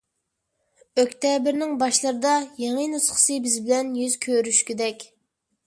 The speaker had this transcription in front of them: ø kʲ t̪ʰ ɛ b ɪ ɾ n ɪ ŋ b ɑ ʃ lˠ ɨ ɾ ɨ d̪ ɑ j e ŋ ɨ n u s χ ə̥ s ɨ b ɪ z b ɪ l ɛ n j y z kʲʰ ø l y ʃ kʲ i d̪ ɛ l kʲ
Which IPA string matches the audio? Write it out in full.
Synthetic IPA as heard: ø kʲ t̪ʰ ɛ b ɪ ɾ n ɪ ŋ b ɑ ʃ lˠ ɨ ɾ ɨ d̪ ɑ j e ŋ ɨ n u s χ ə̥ s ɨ b ɪ z b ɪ l ɛ n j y z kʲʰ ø ɾ y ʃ kʲ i d̪ ɛ kʲ